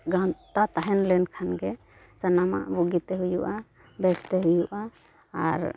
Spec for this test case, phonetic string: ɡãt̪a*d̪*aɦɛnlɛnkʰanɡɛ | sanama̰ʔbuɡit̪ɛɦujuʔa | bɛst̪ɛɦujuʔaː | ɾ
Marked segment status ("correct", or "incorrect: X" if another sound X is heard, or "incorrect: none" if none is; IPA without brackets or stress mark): incorrect: t̪